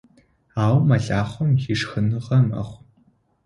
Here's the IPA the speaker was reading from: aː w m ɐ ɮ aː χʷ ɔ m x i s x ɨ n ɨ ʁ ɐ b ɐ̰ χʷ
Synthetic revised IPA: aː w m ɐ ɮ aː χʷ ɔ m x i ʂ x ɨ n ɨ ʁ ɐ m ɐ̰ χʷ